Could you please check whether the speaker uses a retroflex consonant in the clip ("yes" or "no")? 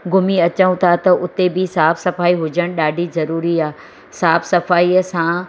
yes